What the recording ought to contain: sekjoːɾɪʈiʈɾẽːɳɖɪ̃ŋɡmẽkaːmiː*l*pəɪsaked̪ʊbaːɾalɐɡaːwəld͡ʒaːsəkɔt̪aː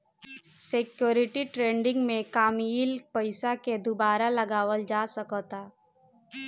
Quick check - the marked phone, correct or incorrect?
correct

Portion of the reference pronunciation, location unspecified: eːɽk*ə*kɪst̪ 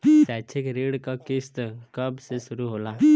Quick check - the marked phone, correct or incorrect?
incorrect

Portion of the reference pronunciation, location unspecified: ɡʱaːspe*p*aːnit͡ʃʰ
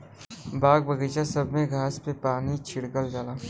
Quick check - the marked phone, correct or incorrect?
correct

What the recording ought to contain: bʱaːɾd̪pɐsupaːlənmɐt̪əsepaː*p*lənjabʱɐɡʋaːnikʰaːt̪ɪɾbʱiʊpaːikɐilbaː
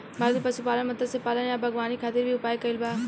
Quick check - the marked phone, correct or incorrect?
incorrect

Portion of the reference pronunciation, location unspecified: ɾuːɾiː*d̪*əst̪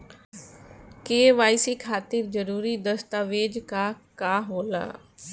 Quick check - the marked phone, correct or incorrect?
correct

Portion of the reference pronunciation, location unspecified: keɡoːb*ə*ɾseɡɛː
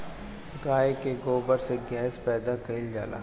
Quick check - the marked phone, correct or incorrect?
correct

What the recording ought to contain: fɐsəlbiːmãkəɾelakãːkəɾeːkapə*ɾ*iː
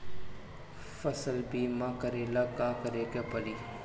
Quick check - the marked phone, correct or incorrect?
incorrect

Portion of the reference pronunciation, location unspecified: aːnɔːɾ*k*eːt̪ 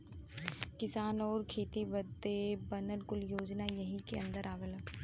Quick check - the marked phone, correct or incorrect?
incorrect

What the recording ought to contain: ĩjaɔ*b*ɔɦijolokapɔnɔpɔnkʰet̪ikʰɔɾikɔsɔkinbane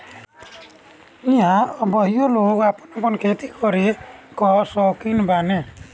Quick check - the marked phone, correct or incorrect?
correct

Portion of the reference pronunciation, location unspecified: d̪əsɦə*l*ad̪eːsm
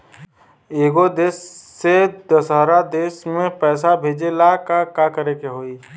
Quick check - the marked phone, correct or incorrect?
incorrect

